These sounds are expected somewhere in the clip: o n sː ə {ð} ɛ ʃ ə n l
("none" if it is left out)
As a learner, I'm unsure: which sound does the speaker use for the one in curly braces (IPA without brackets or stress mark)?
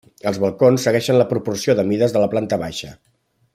ɣ